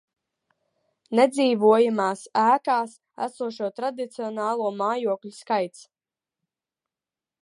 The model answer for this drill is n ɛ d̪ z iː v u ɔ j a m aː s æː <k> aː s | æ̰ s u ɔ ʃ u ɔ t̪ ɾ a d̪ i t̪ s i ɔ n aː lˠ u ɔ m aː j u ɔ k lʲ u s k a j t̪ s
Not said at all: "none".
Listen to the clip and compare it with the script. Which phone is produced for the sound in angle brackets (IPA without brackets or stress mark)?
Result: k